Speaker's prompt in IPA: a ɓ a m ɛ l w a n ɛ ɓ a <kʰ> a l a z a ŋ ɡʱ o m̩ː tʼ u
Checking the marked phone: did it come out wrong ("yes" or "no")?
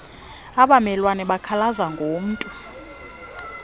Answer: no